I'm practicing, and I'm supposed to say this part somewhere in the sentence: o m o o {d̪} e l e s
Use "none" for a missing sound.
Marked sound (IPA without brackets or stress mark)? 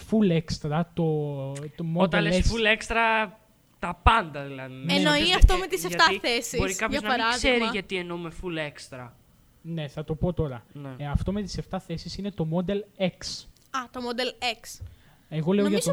d̪